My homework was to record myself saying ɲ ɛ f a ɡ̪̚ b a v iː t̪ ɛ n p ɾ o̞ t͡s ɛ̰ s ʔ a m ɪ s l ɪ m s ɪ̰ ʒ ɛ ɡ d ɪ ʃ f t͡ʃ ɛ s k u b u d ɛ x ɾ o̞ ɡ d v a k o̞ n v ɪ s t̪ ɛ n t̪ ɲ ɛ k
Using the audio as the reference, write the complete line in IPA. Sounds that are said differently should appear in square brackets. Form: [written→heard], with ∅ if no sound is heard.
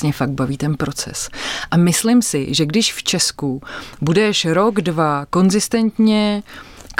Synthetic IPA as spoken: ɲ ɛ f a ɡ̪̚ b a v iː t̪ ɛ n p ɾ o̞ t͡s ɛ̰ s ʔ a m ɪ s l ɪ m s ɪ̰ ʒ ɛ ɡ d ɪ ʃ f t͡ʃ ɛ s k u b u d ɛ [x→ʃ] ɾ o̞ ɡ d v a k o̞ n [v→z] ɪ s t̪ ɛ n t̪ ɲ ɛ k